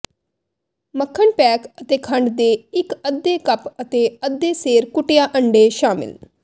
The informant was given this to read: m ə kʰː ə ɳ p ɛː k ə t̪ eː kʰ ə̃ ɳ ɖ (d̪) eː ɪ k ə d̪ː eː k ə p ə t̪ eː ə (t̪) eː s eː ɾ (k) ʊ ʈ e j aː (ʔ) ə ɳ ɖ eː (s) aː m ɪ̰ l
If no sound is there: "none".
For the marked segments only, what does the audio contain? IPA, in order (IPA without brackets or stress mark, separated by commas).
d̪, d̪, k, ʔ, ʃ